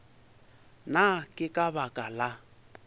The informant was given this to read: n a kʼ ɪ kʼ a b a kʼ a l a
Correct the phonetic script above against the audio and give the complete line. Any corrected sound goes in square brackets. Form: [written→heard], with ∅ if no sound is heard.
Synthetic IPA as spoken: n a kʼ ɪ kʼ a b a kʼ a l a